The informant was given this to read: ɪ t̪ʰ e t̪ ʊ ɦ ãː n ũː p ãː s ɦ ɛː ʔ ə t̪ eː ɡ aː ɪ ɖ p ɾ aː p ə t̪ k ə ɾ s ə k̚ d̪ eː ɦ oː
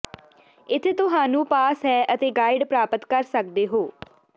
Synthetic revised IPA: ɪ t̪ʰ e t̪ ʊ ɦ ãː n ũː p aː s ɦ ɛː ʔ ə t̪ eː ɡ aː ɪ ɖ p ɾ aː p ə t̪ k ə ɾ s ə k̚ d̪ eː ɦ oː